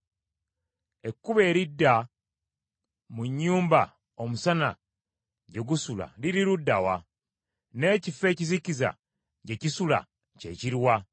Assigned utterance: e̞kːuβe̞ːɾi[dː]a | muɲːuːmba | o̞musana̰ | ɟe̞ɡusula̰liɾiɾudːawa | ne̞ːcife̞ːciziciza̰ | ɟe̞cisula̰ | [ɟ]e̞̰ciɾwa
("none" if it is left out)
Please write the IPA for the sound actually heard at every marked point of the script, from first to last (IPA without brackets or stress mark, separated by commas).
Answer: dː, c